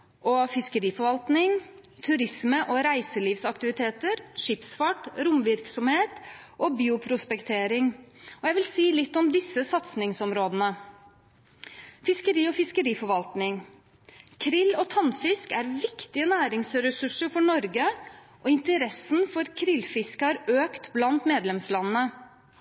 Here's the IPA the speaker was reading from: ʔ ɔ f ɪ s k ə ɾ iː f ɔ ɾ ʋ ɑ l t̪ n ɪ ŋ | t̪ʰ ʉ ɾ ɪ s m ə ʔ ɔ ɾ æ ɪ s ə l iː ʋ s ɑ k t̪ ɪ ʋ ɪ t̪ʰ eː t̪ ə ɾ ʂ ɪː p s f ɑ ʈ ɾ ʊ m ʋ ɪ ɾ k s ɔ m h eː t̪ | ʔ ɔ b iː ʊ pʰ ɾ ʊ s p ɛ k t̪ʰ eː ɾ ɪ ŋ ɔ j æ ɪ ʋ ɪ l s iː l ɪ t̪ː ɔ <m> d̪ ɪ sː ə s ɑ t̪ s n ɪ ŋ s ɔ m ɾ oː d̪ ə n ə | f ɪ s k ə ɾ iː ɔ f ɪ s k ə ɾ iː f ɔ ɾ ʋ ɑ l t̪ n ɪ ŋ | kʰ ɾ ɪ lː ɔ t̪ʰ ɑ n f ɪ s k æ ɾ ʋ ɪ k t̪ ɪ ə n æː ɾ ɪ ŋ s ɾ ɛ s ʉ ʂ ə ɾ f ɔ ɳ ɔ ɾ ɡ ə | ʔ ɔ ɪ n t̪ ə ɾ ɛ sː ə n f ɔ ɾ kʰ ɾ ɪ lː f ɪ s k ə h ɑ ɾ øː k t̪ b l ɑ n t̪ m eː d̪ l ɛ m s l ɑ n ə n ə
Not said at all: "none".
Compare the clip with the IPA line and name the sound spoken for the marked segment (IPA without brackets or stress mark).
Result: m